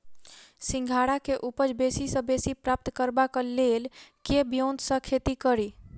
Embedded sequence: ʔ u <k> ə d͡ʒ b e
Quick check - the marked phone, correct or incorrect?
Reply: incorrect: p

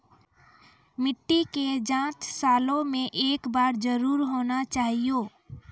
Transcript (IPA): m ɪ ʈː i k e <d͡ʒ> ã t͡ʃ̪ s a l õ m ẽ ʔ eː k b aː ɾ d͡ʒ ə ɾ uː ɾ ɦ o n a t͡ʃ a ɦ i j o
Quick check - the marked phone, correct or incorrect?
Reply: correct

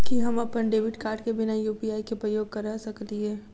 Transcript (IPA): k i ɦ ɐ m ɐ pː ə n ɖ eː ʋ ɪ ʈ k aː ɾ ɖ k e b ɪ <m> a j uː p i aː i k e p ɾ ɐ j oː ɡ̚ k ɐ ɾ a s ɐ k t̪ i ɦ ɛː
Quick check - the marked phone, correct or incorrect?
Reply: incorrect: n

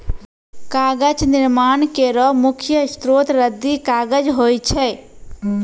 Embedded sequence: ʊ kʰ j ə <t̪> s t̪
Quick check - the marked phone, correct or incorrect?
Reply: incorrect: none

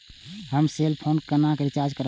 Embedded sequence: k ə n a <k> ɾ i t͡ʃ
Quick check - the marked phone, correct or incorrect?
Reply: correct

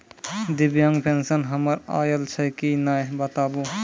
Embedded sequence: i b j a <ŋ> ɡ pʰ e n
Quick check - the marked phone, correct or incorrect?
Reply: correct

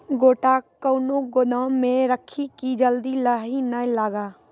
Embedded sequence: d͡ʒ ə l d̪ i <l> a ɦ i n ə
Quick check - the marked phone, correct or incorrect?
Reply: correct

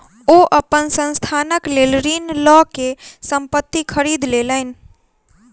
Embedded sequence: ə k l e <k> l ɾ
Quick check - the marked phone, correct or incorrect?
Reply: incorrect: none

